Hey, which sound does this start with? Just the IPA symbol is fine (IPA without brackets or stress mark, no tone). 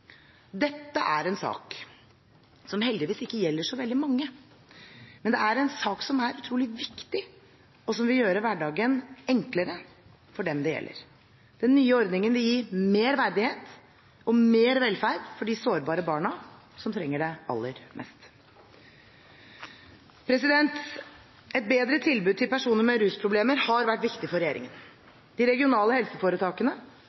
d̪